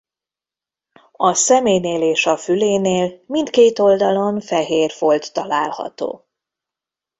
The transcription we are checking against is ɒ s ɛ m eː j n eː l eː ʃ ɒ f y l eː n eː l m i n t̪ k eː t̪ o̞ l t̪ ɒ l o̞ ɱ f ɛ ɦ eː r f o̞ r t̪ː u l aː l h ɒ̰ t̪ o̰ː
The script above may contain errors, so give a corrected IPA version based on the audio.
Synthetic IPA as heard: ɒ s ɛ m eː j n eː l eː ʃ ɒ f y l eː n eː l m i n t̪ k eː t̪ o̞ l d̪ ɒ l o̞ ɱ f ɛ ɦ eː r f o̞ l t̪ː ɒ l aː l h ɒ̰ t̪ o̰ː